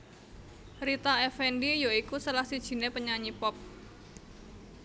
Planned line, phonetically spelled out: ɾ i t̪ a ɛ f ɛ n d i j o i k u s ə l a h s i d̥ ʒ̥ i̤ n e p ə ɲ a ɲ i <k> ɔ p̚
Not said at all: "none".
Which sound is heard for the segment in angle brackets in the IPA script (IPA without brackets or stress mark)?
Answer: p